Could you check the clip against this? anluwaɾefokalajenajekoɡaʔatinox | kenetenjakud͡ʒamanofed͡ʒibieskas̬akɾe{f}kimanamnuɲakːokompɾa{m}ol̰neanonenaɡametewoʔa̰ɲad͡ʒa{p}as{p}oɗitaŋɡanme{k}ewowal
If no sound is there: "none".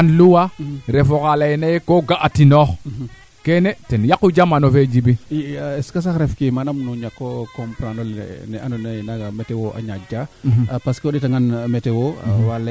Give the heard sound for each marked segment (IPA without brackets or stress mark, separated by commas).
f, n, p, k, t